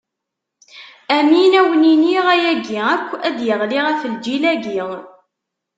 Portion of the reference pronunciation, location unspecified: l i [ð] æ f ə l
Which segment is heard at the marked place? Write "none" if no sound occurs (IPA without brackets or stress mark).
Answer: ʁ